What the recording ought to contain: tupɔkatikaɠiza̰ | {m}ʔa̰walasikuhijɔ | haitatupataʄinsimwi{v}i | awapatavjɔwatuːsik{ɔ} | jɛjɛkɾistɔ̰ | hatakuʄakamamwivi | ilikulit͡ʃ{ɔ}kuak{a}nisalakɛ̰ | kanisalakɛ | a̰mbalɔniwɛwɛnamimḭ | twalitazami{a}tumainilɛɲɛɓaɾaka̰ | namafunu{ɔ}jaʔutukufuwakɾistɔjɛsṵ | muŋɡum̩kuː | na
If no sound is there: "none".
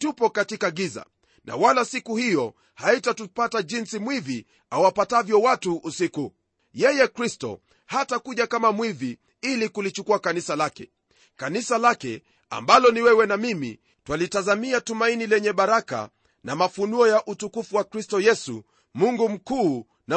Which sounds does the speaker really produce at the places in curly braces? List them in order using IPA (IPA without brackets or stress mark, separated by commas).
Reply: n, v, u, u, a, a, ɔ